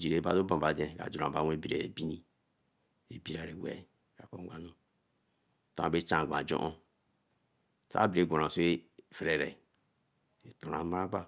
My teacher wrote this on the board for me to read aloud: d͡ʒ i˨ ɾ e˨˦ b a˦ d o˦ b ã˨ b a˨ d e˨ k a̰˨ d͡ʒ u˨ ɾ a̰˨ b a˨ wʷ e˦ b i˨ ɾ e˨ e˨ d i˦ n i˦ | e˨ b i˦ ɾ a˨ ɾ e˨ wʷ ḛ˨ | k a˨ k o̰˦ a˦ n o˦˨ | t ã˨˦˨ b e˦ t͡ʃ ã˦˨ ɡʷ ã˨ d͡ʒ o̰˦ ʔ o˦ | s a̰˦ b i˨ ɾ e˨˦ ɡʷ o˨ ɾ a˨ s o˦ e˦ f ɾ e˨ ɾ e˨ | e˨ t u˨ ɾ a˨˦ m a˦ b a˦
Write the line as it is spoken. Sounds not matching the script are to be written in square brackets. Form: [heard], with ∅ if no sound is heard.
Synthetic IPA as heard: d͡ʒ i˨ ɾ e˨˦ b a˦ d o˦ b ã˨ b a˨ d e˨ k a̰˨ d͡ʒ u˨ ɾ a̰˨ b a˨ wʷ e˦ b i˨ ɾ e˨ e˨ [b] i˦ n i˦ | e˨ b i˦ ɾ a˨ ɾ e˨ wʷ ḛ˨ | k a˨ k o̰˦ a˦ n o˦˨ | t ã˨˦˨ b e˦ t͡ʃ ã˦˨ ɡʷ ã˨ d͡ʒ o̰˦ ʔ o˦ | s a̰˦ b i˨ ɾ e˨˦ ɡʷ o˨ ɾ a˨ s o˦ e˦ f ɾ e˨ ɾ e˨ | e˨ t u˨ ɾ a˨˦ m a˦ b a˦

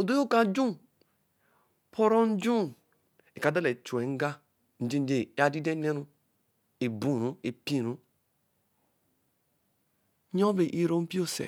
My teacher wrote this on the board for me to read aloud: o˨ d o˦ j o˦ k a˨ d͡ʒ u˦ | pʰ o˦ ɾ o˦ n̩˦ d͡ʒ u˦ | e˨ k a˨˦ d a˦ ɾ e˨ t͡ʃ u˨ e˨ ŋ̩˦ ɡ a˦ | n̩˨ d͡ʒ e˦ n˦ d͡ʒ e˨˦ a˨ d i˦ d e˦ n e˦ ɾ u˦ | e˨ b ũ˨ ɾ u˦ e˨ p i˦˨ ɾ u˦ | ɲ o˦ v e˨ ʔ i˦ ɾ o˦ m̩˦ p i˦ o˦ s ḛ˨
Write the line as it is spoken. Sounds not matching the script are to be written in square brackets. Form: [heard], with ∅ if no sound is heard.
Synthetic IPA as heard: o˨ d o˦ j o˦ k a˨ d͡ʒ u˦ | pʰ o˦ ɾ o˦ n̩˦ d͡ʒ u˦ | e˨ k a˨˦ d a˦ [l] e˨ t͡ʃ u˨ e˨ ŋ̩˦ ɡ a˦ | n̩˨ d͡ʒ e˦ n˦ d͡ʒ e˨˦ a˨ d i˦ d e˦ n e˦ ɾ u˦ | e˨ b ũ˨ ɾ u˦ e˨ p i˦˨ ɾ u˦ | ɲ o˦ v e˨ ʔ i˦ ɾ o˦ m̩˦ p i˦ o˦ s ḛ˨

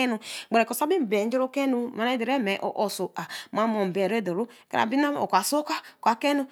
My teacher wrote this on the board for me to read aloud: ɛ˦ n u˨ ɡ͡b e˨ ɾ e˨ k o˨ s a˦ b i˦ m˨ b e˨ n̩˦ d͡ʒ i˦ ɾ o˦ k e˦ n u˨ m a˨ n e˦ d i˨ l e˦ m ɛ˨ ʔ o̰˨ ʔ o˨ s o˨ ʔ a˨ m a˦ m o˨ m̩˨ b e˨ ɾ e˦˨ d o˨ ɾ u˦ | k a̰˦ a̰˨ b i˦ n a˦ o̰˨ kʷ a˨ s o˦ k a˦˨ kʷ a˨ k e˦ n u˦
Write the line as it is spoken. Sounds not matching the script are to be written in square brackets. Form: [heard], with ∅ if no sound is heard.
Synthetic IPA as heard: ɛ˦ n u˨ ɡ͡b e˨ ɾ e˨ k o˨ s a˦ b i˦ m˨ b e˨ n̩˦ d͡ʒ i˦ ɾ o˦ k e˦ n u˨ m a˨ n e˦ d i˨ [ɾ] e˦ m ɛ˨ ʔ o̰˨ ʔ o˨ s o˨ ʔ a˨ m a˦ m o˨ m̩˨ b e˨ ɾ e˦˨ d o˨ ɾ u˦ | k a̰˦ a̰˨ b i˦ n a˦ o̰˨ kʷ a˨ s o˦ k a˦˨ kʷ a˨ k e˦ n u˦

